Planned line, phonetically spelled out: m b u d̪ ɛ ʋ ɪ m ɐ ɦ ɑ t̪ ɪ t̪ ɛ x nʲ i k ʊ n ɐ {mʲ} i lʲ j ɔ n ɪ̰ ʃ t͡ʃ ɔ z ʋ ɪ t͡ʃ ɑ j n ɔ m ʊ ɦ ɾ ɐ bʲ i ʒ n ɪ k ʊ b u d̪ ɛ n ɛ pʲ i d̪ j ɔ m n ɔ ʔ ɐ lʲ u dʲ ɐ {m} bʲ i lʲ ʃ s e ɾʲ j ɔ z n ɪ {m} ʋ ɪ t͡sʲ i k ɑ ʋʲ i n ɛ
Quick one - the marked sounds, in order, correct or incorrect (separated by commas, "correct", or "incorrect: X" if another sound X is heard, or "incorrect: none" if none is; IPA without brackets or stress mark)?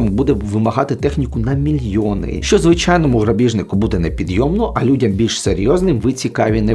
correct, correct, correct